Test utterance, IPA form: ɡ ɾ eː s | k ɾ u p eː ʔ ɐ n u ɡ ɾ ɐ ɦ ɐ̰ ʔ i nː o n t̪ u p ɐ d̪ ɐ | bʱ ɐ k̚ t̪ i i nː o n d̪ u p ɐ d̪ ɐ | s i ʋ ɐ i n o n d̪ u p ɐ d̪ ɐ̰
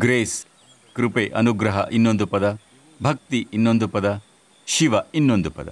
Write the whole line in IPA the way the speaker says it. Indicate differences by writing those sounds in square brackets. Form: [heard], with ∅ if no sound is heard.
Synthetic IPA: ɡ ɾ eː s | k ɾ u p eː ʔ ɐ n u ɡ ɾ ɐ ɦ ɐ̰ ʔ i nː o n [d̪] u p ɐ d̪ ɐ | bʱ ɐ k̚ t̪ i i nː o n d̪ u p ɐ d̪ ɐ | [ʃ] i ʋ ɐ i [nː] o n d̪ u p ɐ d̪ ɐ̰